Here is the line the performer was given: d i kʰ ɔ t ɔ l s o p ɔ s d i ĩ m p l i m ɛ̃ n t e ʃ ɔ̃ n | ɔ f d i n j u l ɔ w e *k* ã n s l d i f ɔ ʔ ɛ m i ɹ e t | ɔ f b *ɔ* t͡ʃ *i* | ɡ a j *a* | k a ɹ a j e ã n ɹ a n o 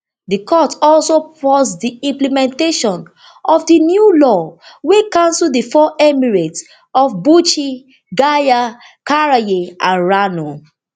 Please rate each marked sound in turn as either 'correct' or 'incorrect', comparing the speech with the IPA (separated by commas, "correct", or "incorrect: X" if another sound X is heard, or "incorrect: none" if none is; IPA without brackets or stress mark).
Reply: correct, incorrect: u, correct, correct